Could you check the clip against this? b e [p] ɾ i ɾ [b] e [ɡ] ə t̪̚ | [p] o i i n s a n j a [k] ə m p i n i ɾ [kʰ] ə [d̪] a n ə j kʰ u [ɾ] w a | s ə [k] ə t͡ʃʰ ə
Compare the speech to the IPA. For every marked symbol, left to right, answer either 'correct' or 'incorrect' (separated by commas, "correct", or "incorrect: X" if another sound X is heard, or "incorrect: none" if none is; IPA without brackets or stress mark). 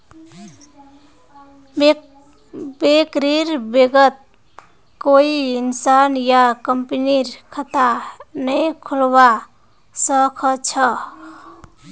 incorrect: k, correct, correct, incorrect: k, correct, correct, incorrect: t̪, incorrect: l, incorrect: kʰ